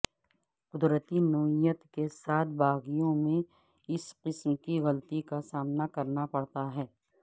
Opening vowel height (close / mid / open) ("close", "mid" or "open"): close